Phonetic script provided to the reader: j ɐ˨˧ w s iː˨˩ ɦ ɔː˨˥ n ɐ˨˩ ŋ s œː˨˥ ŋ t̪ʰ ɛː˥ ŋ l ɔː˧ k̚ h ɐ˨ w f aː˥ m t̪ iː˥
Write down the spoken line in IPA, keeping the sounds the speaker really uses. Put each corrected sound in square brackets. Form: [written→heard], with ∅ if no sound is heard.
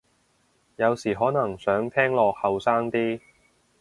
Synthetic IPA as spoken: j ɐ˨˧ w s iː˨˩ ɦ ɔː˨˥ n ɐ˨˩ ŋ s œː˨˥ ŋ t̪ʰ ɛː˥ ŋ l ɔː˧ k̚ h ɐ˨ w [f→s] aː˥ [m→ŋ] t̪ iː˥